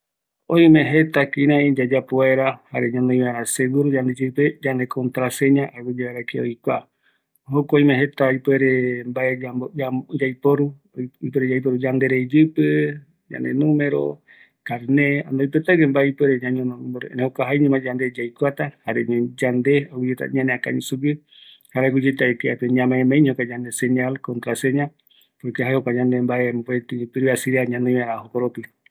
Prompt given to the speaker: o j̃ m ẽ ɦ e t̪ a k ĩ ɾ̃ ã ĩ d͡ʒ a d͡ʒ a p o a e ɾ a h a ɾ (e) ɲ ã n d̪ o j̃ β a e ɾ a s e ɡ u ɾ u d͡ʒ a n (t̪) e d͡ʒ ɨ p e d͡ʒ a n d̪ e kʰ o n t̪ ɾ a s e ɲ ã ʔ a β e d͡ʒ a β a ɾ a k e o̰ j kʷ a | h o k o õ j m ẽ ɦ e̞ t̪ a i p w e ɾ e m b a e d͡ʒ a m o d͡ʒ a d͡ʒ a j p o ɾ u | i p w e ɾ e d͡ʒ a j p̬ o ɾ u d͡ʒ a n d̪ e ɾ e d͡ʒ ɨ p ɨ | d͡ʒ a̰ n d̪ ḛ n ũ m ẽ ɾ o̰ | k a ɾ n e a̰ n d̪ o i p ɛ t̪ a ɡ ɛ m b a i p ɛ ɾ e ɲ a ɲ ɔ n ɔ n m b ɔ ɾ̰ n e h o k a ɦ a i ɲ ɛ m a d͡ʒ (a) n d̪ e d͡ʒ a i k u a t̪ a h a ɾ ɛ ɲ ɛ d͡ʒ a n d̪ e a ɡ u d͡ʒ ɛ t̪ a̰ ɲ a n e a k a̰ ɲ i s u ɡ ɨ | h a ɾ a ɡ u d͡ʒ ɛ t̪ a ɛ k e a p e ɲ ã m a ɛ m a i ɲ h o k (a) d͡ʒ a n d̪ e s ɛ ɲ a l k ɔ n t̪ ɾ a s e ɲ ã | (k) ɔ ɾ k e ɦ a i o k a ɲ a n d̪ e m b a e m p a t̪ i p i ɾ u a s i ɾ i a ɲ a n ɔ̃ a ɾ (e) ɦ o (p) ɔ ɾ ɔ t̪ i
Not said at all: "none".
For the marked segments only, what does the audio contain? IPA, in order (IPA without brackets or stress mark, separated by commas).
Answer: e, d̪, a, a, p, a, k